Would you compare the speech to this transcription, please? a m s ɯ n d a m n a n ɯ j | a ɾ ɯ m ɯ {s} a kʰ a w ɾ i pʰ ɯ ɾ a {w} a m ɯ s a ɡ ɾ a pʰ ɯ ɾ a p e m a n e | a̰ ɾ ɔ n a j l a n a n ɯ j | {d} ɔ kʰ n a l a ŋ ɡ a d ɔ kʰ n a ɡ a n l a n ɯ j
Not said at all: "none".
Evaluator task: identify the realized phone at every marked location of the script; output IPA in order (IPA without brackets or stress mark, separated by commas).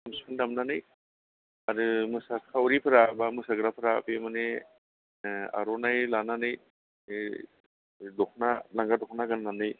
s, b, d